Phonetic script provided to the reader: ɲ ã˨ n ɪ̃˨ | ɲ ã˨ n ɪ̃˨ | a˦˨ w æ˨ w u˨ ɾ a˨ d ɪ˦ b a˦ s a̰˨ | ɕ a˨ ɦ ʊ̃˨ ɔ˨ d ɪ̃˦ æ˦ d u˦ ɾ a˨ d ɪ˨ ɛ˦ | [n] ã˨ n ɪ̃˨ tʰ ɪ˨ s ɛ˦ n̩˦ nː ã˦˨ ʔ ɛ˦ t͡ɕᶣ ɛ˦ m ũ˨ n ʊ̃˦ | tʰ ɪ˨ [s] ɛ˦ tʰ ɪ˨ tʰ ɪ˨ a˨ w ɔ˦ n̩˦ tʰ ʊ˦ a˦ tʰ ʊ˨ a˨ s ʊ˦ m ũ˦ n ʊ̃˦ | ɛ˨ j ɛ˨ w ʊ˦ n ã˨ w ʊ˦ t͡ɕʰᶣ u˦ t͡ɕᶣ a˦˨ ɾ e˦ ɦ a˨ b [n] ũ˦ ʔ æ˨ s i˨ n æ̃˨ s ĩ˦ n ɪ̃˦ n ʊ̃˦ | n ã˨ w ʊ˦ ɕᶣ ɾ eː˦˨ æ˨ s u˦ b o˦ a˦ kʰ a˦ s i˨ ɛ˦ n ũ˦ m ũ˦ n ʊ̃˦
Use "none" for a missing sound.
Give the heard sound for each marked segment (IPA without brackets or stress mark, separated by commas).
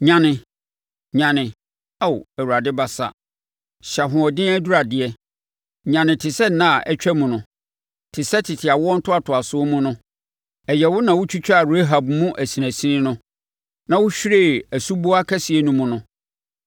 ɲ, s, m